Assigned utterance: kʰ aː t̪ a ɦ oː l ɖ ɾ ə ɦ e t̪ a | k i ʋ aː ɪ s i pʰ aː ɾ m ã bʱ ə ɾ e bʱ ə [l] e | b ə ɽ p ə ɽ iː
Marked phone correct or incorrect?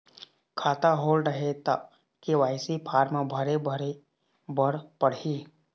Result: incorrect